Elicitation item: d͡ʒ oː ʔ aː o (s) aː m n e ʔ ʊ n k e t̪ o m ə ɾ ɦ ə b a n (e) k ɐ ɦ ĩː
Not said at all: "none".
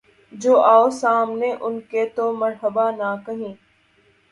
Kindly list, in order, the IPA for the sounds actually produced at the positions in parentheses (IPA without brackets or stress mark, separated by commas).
s, a